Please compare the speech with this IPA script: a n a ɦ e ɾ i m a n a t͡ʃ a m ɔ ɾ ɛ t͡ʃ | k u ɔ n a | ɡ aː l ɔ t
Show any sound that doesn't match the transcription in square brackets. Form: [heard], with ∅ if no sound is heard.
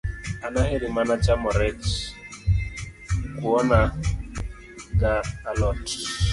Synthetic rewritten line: a n a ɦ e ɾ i m a n a t͡ʃ a m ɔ ɾ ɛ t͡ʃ | k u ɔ n a | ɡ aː l ɔ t